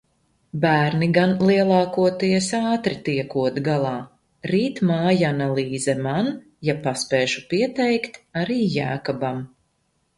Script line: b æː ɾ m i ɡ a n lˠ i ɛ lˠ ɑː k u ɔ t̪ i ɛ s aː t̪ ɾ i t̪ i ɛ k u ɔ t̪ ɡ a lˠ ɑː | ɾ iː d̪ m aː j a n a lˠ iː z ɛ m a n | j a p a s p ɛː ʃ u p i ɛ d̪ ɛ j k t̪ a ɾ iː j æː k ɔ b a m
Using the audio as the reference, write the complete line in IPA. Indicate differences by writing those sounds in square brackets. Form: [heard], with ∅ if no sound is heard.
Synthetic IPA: b æː ɾ [n] i ɡ a n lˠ i ɛ lˠ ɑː k u ɔ t̪ i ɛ s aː t̪ ɾ i t̪ i ɛ k u ɔ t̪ ɡ a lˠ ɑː | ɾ iː [t̪] m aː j a n a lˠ iː z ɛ m a n | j a p a s p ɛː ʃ u p i ɛ [t̪] ɛ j k t̪ a ɾ iː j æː k ɔ b a m

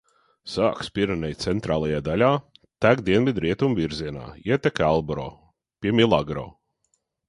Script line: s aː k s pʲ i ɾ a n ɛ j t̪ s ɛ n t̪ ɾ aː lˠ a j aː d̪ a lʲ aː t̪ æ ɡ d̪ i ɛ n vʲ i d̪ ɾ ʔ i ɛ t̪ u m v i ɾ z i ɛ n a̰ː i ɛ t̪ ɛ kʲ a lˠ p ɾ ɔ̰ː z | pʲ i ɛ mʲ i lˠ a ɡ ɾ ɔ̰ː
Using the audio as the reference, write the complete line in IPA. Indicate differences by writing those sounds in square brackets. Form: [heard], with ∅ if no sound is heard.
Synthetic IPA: s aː k s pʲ i ɾ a n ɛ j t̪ s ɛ n t̪ ɾ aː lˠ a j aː d̪ a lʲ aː t̪ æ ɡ d̪ i ɛ n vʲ i d̪ ɾ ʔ i ɛ t̪ u m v i ɾ z i ɛ n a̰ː i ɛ t̪ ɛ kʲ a lˠ [b] ɾ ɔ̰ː [∅] | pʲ i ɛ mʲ i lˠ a ɡ ɾ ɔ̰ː

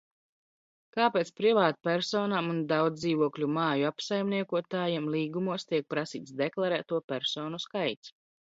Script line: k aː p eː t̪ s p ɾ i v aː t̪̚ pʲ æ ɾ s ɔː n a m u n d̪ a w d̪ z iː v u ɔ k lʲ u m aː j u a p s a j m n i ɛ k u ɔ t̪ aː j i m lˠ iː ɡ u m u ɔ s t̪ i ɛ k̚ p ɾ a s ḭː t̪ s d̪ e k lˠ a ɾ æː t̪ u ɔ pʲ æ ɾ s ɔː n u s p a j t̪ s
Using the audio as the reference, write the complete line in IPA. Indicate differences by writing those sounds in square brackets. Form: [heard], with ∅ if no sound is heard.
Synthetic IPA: k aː p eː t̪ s p ɾ i v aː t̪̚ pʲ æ ɾ s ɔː n a m u n d̪ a w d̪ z iː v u ɔ k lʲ u m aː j u a p s a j m n i ɛ k u ɔ t̪ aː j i m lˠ iː ɡ u m u ɔ s t̪ i ɛ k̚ p ɾ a s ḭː t̪ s d̪ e k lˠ a ɾ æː t̪ u ɔ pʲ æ ɾ s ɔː n u s [k] a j t̪ s

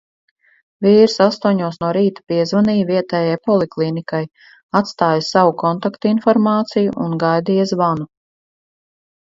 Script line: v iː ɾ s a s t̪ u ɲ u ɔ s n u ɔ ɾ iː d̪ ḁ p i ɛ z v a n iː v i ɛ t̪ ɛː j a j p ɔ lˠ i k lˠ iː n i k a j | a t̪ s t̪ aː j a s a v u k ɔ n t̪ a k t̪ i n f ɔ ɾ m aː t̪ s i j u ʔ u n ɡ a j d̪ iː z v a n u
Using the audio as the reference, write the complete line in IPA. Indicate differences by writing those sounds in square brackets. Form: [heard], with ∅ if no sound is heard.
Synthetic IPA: v iː ɾ s a s t̪ u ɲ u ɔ s n u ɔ ɾ iː [t̪] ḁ p i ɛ z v a n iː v i ɛ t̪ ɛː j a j p ɔ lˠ i k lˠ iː n i k a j | a t̪ s t̪ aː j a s a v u k ɔ n t̪ a k t̪ i n f ɔ ɾ m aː t̪ s i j u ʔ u n ɡ a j d̪ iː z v a n u

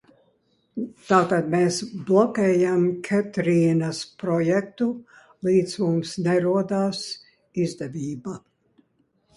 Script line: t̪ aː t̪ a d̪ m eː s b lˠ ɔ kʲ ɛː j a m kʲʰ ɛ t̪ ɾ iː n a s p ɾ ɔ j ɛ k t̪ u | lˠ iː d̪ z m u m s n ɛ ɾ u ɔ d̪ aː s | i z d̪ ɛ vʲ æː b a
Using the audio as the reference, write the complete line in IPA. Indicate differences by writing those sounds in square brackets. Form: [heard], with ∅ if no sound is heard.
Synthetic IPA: t̪ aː t̪ a d̪ m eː s b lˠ ɔ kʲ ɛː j a m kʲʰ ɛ t̪ ɾ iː n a s p ɾ ɔ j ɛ k t̪ u | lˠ iː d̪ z m u m s n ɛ ɾ u ɔ d̪ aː s | i z d̪ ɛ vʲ [iː] b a

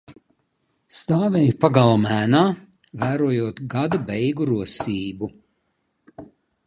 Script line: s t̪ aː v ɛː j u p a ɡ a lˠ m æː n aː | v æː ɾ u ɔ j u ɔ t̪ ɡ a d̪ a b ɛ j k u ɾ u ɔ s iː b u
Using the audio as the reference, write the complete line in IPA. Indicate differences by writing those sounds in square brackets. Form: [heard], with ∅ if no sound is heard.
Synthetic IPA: s t̪ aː v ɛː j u p a ɡ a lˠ m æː n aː | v æː ɾ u ɔ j u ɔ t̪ ɡ a d̪ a b ɛ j [ɡ] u ɾ u ɔ s iː b u

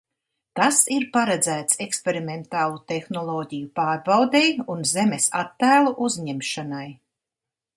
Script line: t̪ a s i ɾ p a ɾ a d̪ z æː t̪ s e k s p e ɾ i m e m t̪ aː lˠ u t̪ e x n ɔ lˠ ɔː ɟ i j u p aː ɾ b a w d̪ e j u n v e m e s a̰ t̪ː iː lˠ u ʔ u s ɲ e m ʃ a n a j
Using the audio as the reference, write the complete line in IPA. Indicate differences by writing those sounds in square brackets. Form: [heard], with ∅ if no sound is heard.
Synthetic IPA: t̪ a s i ɾ p a ɾ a d̪ z æː t̪ s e k s p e ɾ i m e [n] t̪ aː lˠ u t̪ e x n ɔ lˠ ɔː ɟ i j u p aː ɾ b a w d̪ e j u n [z] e m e s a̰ t̪ː [æː] lˠ u ʔ u [z] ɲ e m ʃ a n a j

